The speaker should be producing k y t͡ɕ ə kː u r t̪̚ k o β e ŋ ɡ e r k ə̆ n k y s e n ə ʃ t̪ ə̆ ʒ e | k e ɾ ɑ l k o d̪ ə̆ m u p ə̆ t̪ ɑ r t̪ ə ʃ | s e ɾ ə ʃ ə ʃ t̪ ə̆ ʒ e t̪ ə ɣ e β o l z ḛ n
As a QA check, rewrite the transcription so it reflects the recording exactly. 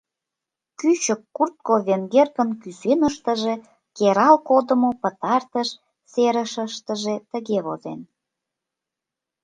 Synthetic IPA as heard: k y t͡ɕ ə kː u r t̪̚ k o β e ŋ ɡ e r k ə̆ n k y s e n ə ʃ t̪ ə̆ ʒ e | k e ɾ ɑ l k o d̪ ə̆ m o p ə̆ t̪ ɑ r t̪ ə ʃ | s e ɾ ə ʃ ə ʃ t̪ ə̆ ʒ e t̪ ə ɣ e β o z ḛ n